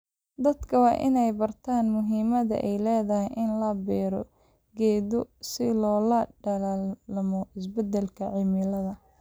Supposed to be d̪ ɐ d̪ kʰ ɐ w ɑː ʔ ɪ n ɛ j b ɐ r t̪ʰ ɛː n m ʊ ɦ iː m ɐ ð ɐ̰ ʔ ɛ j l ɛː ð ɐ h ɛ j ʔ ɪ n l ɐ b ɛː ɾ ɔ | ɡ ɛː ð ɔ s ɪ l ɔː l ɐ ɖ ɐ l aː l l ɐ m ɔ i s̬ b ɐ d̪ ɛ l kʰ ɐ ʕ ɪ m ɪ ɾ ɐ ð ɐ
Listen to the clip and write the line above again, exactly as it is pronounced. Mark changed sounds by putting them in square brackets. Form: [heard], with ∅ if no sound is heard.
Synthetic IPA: d̪ ɐ d̪ kʰ ɐ w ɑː ʔ ɪ n ɛ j b ɐ r t̪ʰ [aː] n m ʊ ɦ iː m ɐ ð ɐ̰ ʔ ɛ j l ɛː ð ɐ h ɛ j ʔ ɪ n l ɐ b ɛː ɾ ɔ | ɡ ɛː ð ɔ s ɪ l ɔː l ɐ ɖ ɐ l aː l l ɐ m ɔ [ɪ] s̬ b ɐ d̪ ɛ l kʰ ɐ ʕ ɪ m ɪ [l] ɐ ð ɐ